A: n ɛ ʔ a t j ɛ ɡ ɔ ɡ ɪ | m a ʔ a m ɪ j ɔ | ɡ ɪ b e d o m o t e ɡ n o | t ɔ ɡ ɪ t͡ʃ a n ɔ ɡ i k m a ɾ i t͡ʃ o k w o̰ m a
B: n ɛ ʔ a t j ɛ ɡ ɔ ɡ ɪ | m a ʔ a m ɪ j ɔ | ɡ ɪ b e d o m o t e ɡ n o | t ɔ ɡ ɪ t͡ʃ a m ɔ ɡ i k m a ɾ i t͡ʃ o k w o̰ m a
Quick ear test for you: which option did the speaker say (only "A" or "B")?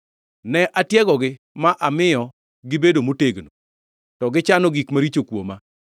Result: A